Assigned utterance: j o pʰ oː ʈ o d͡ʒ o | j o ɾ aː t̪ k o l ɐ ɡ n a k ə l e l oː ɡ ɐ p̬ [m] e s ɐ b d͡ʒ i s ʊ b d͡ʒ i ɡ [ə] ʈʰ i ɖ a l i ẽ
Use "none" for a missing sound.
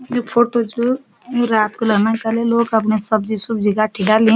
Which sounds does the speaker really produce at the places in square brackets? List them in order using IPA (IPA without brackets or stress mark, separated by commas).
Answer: n, a